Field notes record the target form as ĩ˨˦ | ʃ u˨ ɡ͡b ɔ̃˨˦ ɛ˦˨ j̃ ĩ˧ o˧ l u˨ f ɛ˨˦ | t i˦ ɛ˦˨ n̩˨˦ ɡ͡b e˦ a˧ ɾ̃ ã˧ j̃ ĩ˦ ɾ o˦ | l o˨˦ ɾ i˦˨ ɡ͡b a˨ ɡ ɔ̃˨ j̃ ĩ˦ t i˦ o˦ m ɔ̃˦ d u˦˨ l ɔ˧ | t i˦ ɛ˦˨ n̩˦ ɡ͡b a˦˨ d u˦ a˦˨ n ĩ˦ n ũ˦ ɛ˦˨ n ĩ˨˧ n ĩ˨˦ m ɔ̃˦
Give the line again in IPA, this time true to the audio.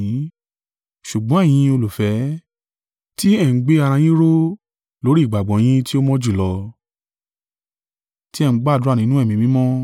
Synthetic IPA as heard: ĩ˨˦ | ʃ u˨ ɡ͡b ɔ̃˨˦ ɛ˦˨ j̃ ĩ˧ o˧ l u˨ f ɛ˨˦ | t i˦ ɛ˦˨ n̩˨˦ ɡ͡b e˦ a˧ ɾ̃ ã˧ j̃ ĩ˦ ɾ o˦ | l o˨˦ ɾ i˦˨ ɡ͡b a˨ ɡ͡b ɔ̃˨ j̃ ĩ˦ t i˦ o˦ m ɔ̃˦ d͡ʒ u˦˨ l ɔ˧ | t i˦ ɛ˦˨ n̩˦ ɡ͡b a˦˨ d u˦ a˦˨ n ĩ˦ n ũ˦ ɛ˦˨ m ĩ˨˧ m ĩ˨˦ m ɔ̃˦

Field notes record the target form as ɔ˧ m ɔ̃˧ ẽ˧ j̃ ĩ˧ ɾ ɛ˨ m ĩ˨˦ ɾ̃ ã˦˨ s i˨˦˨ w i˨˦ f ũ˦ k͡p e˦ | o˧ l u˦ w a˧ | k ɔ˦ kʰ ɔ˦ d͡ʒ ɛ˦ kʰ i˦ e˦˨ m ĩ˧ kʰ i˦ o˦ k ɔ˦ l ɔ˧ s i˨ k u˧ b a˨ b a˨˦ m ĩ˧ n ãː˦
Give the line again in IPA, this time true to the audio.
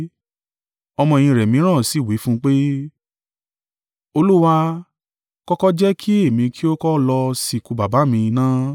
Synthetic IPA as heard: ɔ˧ m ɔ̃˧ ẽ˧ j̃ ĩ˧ ɾ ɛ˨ m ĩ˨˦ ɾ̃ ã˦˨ s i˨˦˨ w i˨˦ f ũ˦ k͡p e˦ | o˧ l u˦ w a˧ | k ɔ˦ k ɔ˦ d͡ʒ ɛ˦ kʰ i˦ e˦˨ m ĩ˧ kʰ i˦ o˦ k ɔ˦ l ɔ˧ s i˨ k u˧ b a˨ b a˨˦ m ĩ˧ n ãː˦

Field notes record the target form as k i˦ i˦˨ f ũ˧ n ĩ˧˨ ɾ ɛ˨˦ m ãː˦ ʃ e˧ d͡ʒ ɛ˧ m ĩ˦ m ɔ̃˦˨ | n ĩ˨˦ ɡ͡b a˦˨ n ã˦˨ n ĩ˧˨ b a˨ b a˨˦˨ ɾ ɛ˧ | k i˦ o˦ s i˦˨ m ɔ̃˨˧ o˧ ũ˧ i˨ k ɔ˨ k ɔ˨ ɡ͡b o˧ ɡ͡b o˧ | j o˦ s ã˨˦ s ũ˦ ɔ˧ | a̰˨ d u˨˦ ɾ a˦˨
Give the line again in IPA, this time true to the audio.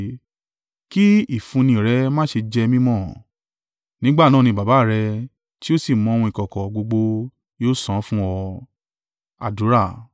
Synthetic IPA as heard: k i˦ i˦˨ f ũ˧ n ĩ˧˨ ɾ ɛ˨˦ m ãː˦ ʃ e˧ d͡ʒ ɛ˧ m ĩ˦ m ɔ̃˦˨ | n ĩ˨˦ ɡ͡b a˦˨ n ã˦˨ n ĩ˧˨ b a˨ b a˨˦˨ ɾ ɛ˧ | t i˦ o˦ s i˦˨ m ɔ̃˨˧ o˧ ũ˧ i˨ k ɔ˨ k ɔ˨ ɡ͡b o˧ ɡ͡b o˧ | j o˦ s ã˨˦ f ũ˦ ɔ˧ | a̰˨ d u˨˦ ɾ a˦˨

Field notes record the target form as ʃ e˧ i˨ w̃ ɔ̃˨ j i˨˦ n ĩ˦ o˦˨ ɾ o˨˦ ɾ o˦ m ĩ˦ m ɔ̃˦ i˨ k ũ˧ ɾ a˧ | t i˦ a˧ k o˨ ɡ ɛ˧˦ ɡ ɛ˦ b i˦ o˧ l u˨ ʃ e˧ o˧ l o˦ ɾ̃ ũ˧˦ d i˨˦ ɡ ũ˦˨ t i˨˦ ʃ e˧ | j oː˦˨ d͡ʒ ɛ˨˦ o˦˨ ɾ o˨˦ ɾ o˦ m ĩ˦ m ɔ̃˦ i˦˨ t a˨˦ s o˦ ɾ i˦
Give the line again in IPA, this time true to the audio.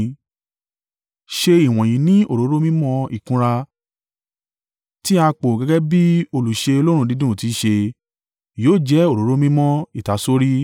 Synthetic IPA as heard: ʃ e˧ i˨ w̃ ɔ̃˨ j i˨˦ n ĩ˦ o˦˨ ɾ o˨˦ ɾ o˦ m ĩ˦ m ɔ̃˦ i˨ k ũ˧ ɾ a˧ | t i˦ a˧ k͡p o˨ ɡ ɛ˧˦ ɡ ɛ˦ b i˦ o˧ l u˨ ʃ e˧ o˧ l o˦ ɾ̃ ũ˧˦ d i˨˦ d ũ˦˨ t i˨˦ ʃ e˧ | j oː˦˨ d͡ʒ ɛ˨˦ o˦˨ ɾ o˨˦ ɾ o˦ m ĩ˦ m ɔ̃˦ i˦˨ t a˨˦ s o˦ ɾ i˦

